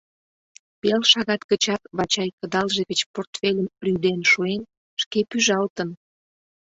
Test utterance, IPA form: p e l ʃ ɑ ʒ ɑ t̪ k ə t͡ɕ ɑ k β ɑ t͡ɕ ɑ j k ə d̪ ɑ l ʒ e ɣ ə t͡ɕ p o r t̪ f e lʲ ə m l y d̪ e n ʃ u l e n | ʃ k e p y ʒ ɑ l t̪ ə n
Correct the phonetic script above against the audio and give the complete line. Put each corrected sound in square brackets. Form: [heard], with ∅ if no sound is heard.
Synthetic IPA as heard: p e l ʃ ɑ [ɣ] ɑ t̪ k ə t͡ɕ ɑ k β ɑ t͡ɕ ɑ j k ə d̪ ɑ l ʒ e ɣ ə t͡ɕ p o r t̪ f e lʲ ə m [r] y d̪ e n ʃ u [∅] e n | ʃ k e p y ʒ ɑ l t̪ ə n